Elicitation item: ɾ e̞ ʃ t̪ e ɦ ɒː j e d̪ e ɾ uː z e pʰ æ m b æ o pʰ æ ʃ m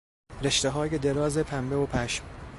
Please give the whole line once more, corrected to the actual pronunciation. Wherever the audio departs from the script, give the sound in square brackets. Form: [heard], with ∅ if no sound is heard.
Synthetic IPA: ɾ e̞ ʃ t̪ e ɦ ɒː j e d̪ e ɾ [ɒː] z e pʰ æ m b [e] o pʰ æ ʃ m